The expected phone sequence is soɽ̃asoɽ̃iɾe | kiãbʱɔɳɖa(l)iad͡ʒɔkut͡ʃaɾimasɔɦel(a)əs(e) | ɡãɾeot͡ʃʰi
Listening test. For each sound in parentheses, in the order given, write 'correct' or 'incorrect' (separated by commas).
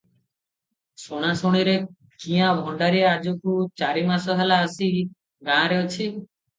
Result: incorrect, correct, incorrect